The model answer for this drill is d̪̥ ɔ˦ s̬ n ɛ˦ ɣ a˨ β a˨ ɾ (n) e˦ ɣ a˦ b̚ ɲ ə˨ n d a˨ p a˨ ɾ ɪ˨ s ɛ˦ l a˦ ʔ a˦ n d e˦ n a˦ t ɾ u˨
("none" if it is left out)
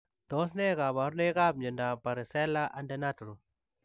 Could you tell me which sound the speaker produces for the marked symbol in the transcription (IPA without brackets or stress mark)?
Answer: n